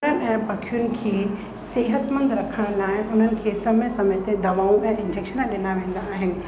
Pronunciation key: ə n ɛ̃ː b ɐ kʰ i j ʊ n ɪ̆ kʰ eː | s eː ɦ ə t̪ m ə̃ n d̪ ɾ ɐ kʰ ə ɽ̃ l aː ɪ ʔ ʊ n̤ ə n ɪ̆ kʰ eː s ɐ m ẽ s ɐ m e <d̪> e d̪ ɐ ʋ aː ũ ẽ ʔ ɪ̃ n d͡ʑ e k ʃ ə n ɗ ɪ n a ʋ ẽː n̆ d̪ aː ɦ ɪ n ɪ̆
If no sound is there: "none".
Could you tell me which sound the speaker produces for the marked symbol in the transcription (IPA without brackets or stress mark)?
t̪